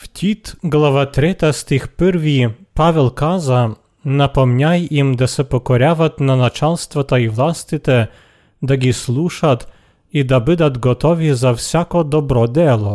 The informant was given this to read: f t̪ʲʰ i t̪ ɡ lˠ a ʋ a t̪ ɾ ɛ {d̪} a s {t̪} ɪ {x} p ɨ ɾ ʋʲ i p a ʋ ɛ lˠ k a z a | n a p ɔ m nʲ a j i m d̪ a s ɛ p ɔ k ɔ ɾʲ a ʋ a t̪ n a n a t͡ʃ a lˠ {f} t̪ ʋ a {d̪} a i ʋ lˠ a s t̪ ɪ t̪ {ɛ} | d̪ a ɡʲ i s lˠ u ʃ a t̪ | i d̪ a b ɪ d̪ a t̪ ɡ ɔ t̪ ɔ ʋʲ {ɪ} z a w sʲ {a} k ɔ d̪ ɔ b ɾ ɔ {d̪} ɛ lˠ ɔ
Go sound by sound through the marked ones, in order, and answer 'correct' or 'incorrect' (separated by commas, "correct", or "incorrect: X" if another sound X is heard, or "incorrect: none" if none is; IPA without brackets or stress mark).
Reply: incorrect: t̪, correct, correct, incorrect: s, incorrect: t̪, correct, incorrect: i, correct, correct